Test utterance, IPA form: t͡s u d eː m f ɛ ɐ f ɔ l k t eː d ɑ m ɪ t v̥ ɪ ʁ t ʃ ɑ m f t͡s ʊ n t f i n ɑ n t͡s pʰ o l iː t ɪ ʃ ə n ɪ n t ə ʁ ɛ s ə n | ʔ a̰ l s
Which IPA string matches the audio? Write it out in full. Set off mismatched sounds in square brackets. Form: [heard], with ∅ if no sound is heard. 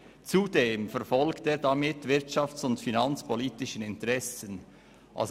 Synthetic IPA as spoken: t͡s u d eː m f ɛ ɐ f ɔ l k t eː d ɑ m ɪ t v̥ ɪ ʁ t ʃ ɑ [∅] f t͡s ʊ n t f i n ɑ n t͡s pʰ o l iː t ɪ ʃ ə n ɪ n t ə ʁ ɛ s ə n | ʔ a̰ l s